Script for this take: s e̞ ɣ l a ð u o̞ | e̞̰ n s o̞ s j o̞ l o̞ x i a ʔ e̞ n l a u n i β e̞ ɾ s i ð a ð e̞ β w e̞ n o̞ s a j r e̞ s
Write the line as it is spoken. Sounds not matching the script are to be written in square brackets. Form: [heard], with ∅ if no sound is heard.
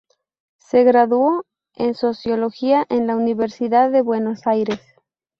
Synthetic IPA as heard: s e̞ ɣ [ɾ] a ð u o̞ | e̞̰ n s o̞ s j o̞ l o̞ x i a ʔ e̞ n l a u n i β e̞ ɾ s i ð a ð e̞ β w e̞ n o̞ s a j [ɾ] e̞ s